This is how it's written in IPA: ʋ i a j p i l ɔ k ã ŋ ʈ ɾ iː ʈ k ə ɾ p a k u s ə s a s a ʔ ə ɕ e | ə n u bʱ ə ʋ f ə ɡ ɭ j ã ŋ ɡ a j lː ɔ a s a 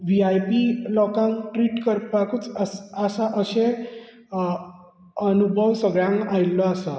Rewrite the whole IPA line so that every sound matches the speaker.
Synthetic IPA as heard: ʋ i a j p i l ɔ k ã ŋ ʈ ɾ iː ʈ k ə ɾ p a k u t͡s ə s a s a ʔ ə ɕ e | ə n u bʱ ə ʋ s ə ɡ ɭ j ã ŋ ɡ a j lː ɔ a s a